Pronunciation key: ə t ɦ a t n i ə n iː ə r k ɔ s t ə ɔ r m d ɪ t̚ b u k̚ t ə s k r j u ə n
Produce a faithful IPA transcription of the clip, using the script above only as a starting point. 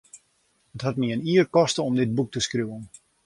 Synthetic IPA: ə t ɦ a t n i ə n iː ə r k ɔ s t ə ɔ m d ɪ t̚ b u k̚ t ə s k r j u ə n